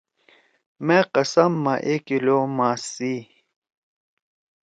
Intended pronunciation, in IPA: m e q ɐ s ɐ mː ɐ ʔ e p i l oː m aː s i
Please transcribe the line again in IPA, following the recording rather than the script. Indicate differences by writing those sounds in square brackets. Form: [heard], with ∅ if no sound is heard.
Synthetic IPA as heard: m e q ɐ s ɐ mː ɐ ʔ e [k] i l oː m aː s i